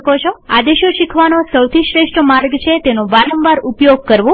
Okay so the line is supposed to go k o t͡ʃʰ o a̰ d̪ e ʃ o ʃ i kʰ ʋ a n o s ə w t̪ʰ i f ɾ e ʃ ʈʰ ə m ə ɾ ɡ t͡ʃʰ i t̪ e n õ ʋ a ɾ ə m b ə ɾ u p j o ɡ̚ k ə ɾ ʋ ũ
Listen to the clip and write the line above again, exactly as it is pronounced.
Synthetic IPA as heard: k o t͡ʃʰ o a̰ d̪ e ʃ o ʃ i kʰ ʋ a n o s ə w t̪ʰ i ʃ ɾ e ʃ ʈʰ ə m a ɾ ɡ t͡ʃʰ e t̪ e n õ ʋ a ɾ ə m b a ɾ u p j o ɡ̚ k ə ɾ ʋ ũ